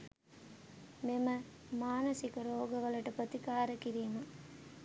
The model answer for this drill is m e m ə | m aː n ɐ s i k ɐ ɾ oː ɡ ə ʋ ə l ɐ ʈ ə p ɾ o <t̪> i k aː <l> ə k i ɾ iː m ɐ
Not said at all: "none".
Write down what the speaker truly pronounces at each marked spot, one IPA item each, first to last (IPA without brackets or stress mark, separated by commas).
t̪, ɾ